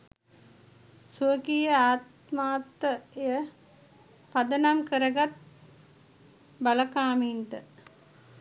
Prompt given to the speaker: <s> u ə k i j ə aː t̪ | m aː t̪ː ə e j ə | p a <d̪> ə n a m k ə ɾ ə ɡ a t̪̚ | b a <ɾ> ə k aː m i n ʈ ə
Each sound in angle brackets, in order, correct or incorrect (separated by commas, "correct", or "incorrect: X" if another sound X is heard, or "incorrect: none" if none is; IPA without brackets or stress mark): correct, correct, incorrect: l